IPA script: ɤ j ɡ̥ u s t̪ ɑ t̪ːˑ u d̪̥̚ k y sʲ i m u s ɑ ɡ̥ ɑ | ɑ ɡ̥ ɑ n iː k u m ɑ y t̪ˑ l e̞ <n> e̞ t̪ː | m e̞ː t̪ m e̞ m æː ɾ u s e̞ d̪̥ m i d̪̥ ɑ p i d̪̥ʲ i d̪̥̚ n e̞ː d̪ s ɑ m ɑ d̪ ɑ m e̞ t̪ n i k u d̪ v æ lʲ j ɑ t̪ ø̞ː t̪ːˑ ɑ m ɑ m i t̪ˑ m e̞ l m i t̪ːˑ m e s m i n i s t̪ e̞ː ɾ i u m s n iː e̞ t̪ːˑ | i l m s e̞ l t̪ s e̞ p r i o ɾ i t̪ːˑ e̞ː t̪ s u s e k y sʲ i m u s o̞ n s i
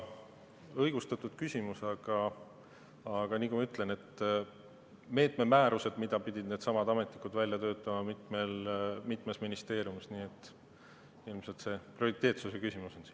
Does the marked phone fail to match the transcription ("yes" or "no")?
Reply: no